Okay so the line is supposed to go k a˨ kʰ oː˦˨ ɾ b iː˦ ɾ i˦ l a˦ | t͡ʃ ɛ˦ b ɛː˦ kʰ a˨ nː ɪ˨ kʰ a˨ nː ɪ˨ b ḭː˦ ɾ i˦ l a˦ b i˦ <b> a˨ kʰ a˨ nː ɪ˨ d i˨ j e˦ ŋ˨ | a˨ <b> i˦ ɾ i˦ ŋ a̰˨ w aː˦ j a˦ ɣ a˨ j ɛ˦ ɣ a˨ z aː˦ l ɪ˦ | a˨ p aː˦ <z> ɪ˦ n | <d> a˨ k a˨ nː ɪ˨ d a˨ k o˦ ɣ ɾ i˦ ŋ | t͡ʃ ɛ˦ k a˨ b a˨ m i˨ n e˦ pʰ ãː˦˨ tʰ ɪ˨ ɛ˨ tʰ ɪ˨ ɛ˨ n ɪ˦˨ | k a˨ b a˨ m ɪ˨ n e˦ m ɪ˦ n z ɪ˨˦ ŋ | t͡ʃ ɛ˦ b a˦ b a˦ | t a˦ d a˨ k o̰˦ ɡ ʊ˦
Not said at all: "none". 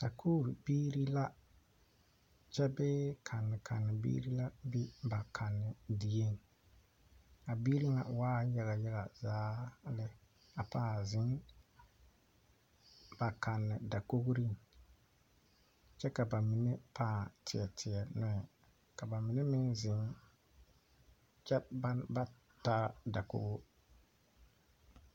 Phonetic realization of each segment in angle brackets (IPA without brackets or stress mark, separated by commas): b, b, z, b